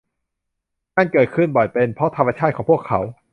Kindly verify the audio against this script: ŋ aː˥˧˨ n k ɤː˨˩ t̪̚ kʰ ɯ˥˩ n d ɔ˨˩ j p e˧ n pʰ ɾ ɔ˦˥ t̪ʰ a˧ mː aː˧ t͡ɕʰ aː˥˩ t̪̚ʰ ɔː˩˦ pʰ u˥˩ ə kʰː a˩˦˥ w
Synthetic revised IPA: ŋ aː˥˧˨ n k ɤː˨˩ t̪̚ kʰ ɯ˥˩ n b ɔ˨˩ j p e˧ n pʰ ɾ ɔ˦˥ t̪ʰ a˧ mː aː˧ t͡ɕʰ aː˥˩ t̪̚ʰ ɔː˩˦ pʰ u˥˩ ə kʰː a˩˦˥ w